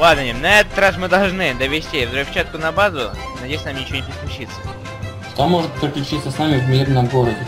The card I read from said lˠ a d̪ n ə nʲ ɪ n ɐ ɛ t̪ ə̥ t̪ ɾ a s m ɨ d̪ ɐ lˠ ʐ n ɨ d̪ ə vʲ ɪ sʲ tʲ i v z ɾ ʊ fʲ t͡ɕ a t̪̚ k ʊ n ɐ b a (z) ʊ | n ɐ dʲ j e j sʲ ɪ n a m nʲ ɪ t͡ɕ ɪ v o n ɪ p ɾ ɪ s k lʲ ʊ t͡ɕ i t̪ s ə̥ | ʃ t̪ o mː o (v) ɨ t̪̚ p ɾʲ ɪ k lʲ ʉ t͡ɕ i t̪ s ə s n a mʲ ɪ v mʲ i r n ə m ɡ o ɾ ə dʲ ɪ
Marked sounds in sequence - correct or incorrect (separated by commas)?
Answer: correct, incorrect